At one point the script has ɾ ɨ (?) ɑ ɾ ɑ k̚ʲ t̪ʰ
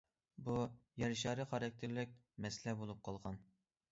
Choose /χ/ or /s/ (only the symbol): χ